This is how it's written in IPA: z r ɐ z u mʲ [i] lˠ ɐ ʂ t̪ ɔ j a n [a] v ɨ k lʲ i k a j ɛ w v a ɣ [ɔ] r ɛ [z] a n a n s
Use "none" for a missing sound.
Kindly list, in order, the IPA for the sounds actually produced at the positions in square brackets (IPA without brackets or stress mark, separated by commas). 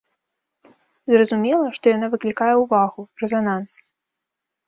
ɛ, a, u, z